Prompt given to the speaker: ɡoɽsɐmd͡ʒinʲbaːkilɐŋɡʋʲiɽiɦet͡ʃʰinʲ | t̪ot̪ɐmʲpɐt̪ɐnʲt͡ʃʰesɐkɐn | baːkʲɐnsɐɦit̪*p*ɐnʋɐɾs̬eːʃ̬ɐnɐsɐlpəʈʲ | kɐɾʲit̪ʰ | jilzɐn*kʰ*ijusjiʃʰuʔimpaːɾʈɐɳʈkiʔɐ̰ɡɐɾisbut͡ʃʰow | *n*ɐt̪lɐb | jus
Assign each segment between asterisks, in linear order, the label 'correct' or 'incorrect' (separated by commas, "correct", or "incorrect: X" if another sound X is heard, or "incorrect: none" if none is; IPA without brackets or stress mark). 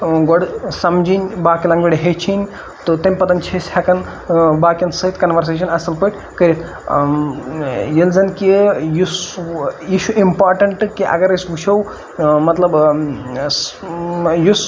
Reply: incorrect: k, incorrect: k, incorrect: m